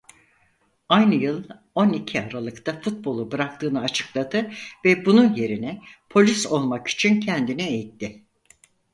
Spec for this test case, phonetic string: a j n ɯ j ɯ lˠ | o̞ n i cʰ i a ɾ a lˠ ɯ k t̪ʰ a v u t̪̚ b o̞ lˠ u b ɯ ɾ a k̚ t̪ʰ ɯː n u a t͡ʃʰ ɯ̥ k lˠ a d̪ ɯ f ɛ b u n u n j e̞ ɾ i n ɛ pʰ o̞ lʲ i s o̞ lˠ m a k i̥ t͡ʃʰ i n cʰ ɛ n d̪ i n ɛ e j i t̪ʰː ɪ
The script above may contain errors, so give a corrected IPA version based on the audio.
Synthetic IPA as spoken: a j n ɯ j ɯ lˠ | o̞ n i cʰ i a ɾ a lˠ ɯ k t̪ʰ a f u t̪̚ b o̞ lˠ u b ɯ ɾ a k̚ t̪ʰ ɯː n ɯ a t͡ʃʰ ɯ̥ k lˠ a d̪ ɯ v ɛ b u n u n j e̞ ɾ i n ɛ pʰ o̞ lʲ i s o̞ lˠ m a k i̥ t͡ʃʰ i n cʰ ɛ n d̪ i n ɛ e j i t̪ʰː ɪ